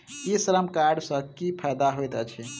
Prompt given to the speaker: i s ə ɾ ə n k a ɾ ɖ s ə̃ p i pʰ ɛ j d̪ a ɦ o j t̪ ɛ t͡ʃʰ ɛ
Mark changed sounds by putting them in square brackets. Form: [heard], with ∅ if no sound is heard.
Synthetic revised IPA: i s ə ɾ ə [m] k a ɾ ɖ s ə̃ [k] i pʰ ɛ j d̪ a ɦ o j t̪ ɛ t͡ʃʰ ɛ

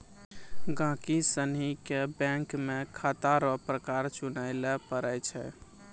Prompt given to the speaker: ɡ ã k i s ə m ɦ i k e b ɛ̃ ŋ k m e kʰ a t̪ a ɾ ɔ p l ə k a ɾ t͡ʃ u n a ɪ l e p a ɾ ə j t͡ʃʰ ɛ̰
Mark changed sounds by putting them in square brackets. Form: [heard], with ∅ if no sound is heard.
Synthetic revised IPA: ɡ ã k i s ə [n] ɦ i k e b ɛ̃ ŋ k m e kʰ a t̪ a ɾ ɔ p [ɾ] ə k a ɾ t͡ʃ u n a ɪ l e p [ə] ɾ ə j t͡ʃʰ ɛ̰

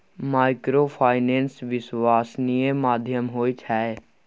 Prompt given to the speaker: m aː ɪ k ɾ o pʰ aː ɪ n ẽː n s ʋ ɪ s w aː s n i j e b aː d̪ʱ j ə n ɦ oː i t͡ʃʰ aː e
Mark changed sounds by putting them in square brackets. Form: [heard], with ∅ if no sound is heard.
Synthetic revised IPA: m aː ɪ k ɾ o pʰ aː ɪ n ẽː n s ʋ ɪ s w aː s n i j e [m] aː d̪ʱ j ə [m] ɦ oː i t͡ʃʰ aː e

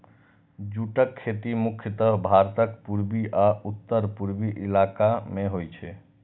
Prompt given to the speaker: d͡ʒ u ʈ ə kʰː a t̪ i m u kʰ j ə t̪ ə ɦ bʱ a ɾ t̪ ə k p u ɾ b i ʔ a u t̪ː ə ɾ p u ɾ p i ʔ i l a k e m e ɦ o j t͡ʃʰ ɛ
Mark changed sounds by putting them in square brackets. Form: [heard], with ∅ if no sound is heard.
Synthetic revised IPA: d͡ʒ u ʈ ə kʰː [e] t̪ i m u kʰ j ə t̪ ə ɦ bʱ a ɾ t̪ ə k p u ɾ b i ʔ a u t̪ː ə ɾ p u ɾ [b] i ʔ i l a k [a] m e ɦ o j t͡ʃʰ ɛ

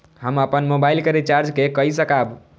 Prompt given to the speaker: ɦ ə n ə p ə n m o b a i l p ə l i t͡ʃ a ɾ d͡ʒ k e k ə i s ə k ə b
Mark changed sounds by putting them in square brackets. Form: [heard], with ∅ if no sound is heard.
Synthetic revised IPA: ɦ ə [m] ə p ə n m o b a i l [k] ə [ɾ] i t͡ʃ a ɾ d͡ʒ k e k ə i s ə k [a] b

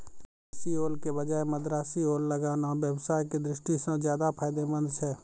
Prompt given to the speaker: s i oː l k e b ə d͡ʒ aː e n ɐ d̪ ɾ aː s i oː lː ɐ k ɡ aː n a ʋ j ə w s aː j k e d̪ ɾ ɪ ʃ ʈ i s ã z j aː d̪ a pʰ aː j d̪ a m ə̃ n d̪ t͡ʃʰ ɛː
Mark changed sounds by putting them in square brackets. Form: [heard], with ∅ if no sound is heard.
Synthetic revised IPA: s i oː l k e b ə d͡ʒ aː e [m] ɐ d̪ ɾ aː s i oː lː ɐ [∅] ɡ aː n a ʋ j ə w s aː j k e d̪ ɾ ɪ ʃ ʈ i s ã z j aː d̪ a pʰ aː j d̪ [e] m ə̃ n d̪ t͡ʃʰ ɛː

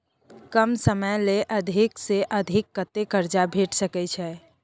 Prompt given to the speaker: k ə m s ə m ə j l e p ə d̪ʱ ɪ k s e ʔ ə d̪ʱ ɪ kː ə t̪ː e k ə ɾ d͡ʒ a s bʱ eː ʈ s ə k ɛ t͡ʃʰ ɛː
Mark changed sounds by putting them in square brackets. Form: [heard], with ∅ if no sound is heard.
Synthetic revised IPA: k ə m s ə m ə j l e [ʔ] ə d̪ʱ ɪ k s e ʔ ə d̪ʱ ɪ kː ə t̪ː e k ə ɾ d͡ʒ a [∅] bʱ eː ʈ s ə k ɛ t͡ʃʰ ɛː

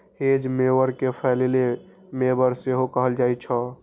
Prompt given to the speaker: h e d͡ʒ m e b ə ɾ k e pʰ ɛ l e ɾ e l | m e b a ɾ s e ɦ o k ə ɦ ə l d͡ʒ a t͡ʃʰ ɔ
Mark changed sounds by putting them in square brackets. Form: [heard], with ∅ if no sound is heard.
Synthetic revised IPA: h e d͡ʒ m e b ə ɾ k e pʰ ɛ l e [l] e [∅] | m e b [ə] ɾ s e ɦ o k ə ɦ ə l d͡ʒ a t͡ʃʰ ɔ

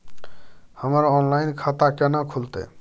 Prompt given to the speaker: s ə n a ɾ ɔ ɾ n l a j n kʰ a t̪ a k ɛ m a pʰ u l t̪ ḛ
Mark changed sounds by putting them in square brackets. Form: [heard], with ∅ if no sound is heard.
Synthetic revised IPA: [h] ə [m] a ɾ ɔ [∅] n l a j n kʰ a t̪ a k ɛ [n] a [kʰ] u l t̪ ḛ

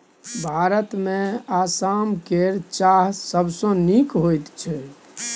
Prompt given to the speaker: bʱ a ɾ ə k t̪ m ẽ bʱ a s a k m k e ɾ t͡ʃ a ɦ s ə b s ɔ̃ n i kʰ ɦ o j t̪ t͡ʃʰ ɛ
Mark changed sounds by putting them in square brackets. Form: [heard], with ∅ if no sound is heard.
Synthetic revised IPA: bʱ a ɾ ə [∅] t̪ m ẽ [∅] a s a [∅] m k e ɾ t͡ʃ a ɦ s ə b s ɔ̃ n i [k] ɦ o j t̪ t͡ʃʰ ɛ

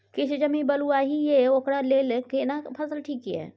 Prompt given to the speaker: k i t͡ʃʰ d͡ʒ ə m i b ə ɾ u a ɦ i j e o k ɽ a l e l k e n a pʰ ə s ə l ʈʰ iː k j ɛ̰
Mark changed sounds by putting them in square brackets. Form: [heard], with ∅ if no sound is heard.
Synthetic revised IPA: k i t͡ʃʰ d͡ʒ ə m i b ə [l] u a ɦ i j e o k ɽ a l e l k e n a pʰ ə s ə l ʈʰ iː k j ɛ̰

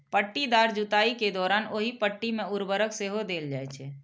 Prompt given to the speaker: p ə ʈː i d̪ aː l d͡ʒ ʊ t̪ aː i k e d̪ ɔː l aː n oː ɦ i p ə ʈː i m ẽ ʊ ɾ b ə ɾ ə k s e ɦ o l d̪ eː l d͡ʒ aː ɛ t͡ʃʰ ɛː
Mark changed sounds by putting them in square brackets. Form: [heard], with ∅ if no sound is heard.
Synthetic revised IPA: p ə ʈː i d̪ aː [ɾ] d͡ʒ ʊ t̪ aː i k e d̪ ɔː [ɾ] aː n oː ɦ i p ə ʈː i m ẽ ʊ ɾ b ə ɾ ə k s e ɦ o [∅] d̪ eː l d͡ʒ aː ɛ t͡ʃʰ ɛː

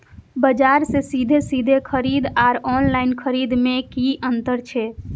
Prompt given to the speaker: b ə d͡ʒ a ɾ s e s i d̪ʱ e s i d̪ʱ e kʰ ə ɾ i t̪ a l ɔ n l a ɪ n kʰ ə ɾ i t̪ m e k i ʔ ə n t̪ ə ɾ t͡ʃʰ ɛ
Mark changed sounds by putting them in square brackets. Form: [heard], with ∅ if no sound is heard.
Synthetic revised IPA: b ə d͡ʒ a ɾ s e s i d̪ʱ e s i d̪ʱ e kʰ ə ɾ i [d̪] a [ɾ] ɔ n l a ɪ n kʰ ə ɾ i [d̪] m e k i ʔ ə n t̪ ə ɾ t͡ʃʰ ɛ

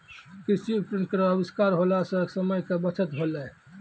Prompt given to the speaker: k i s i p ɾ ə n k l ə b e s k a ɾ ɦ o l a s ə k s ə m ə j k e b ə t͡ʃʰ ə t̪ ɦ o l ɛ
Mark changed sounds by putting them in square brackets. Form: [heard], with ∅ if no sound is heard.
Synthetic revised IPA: k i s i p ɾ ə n k [ɾ] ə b [i] s k a ɾ ɦ o l a s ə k s ə m ə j k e b ə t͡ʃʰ ə t̪ ɦ o l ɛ

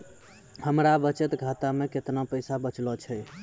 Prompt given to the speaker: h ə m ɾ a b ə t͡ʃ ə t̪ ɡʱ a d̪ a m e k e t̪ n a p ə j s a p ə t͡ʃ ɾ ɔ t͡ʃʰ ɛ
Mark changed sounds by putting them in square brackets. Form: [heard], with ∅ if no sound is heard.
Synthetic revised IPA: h ə m ɾ a b ə t͡ʃ ə t̪ ɡʱ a [t̪] a m e k e t̪ n a p ə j s a [b] ə t͡ʃ [l] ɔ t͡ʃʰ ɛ

